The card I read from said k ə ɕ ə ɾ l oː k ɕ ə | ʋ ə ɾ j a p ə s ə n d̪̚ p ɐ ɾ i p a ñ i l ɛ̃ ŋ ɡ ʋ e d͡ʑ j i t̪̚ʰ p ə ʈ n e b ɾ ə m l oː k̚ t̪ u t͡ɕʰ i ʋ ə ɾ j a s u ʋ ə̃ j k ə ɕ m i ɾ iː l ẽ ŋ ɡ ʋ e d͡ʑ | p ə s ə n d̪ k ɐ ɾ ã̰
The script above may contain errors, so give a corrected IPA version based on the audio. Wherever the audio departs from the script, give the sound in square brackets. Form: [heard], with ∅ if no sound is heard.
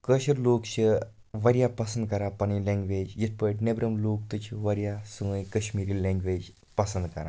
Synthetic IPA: k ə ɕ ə ɾ l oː k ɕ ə | ʋ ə ɾ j a p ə s ə n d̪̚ [k] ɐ ɾ [a] p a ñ i l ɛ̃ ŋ ɡ ʋ e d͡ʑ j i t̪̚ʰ p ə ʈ n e b ɾ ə m l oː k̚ t̪ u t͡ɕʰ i ʋ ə ɾ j a s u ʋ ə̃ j k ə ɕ m i ɾ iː l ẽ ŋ ɡ ʋ e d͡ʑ | p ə s ə n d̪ k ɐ ɾ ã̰

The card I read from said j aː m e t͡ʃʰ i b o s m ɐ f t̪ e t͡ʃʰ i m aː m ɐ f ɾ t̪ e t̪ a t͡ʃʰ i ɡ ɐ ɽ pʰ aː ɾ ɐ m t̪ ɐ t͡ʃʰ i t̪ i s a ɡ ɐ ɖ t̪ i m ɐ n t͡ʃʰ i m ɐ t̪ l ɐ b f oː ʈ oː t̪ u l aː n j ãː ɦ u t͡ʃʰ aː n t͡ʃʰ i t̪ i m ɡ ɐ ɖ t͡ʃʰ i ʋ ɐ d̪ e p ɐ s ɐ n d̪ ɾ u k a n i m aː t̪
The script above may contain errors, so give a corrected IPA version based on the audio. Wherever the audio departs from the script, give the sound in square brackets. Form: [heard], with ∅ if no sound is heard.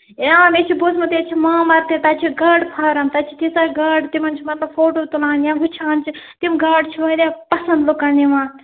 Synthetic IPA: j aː m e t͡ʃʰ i b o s m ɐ [∅] t̪ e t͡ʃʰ i m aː m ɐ [∅] ɾ t̪ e t̪ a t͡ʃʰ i ɡ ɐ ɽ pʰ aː ɾ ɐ m t̪ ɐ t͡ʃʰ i t̪ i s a ɡ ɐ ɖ t̪ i m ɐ n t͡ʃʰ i m ɐ t̪ l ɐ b f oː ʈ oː t̪ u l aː n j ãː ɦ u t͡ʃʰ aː n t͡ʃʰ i t̪ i m ɡ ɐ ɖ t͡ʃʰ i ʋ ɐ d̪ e p ɐ s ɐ n d̪ [l] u k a n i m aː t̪

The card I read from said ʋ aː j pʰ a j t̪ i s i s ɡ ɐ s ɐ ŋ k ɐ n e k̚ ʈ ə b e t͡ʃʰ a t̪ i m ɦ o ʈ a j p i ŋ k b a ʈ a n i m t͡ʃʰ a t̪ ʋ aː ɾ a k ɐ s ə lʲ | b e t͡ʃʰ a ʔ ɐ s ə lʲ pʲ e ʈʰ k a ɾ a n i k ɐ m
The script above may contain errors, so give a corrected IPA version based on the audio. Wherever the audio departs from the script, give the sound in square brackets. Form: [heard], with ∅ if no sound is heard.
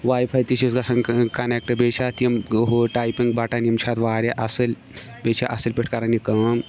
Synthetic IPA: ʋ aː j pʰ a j t̪ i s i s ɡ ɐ s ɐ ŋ k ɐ n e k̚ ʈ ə b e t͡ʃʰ a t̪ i m ɦ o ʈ a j p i ŋ [ɡ] b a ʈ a n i m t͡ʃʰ a t̪ ʋ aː ɾ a [ʔ] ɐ s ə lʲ | b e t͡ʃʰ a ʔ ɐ s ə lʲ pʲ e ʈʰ k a ɾ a n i k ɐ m

